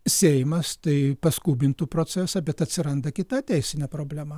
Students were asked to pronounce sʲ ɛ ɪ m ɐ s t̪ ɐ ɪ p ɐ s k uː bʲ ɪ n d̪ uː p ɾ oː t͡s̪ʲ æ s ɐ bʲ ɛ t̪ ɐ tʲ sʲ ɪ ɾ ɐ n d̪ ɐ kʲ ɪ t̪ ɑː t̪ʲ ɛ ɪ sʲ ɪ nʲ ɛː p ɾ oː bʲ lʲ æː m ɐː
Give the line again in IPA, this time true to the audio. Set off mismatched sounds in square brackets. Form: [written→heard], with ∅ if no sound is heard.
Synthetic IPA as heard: sʲ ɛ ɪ m ɐ s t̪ ɐ ɪ p ɐ s k uː bʲ ɪ n [d̪→t̪] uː p ɾ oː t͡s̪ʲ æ s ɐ bʲ ɛ t̪ ɐ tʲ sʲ ɪ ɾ ɐ n d̪ ɐ kʲ ɪ t̪ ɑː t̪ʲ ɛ ɪ sʲ ɪ nʲ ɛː p ɾ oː bʲ lʲ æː m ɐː